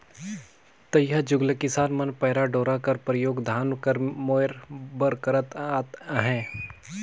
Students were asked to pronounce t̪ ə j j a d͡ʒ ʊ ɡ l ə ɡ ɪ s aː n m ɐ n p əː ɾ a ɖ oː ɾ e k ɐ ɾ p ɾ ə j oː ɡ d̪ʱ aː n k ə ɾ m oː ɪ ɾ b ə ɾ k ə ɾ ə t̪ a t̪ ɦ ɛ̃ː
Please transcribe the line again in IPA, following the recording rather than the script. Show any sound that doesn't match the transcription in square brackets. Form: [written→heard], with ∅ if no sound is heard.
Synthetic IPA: t̪ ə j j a d͡ʒ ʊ ɡ l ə [ɡ→k] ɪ s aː n m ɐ n p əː ɾ a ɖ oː ɾ [e→a] k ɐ ɾ p ɾ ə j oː ɡ d̪ʱ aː n k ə ɾ m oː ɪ ɾ b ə ɾ k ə ɾ ə t̪ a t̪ ɦ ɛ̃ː